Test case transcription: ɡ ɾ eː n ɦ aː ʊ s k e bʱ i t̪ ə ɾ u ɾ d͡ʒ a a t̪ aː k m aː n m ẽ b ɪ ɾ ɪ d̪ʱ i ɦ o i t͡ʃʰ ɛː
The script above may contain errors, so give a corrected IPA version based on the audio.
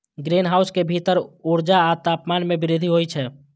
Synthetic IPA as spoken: ɡ ɾ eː n ɦ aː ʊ s k e bʱ i t̪ ə ɾ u ɾ d͡ʒ a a t̪ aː p m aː n m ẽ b ɪ ɾ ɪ d̪ʱ i ɦ o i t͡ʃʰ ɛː